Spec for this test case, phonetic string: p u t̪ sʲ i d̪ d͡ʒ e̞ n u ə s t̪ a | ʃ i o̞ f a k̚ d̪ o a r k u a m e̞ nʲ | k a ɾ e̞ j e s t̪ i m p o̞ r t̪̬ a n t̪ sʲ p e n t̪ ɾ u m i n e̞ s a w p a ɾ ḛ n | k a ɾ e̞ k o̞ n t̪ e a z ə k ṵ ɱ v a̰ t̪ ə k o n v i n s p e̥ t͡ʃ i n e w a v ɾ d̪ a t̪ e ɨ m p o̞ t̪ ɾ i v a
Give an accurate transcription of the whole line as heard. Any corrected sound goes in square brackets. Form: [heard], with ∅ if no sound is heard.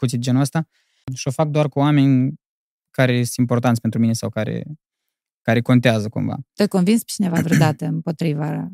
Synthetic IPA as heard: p u t̪ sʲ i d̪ d͡ʒ e̞ n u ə s t̪ a | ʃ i o̞ f a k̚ d̪ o a r k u a m e̞ nʲ | k a ɾ e̞ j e s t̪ i m p o̞ r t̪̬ a n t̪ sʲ p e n t̪ ɾ u m i n e̞ s a w [k] a ɾ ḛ [∅] | k a ɾ e̞ k o̞ n t̪ e a z ə k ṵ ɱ v a̰ t̪ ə k o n v i n s p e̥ t͡ʃ i n e [v] a v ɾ d̪ a t̪ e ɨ m p o̞ t̪ ɾ i v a